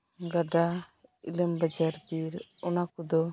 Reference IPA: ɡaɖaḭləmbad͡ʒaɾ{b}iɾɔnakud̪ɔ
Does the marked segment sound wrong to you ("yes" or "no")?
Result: no